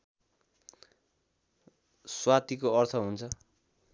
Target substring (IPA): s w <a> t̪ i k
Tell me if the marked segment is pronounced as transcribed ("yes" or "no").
yes